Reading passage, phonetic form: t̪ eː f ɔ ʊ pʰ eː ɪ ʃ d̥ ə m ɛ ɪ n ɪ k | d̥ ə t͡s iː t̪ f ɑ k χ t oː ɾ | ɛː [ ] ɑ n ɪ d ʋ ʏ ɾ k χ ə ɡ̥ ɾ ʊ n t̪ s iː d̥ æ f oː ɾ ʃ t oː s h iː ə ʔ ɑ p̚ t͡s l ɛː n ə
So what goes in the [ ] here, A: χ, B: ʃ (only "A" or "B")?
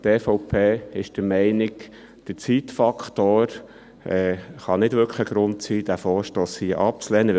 A